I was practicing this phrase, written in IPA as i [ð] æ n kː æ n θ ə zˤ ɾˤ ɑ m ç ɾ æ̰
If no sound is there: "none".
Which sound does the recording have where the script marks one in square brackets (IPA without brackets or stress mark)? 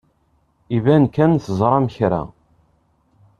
v